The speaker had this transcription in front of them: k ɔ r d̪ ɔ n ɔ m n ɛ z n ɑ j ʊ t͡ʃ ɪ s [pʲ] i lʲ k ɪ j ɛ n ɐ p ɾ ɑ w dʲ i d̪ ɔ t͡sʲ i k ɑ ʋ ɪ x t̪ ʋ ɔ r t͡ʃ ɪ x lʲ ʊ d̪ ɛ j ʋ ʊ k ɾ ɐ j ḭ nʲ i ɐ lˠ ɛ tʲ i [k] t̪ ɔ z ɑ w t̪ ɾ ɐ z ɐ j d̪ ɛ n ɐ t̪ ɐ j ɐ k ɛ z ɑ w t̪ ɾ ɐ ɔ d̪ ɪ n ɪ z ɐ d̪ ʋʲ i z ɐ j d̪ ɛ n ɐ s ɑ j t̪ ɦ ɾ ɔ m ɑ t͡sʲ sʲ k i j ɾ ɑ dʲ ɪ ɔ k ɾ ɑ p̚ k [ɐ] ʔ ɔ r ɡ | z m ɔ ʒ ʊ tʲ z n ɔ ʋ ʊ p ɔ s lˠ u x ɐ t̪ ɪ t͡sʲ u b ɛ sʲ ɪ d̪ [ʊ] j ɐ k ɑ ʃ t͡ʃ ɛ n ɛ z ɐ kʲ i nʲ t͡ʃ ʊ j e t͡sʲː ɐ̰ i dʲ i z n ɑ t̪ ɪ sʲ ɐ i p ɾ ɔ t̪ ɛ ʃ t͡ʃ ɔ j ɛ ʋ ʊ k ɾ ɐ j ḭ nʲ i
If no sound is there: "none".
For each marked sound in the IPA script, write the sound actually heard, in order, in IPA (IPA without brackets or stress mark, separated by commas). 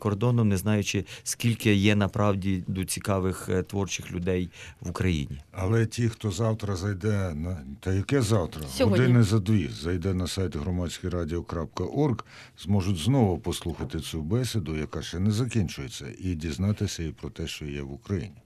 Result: kʲ, x, ɐ, ʊ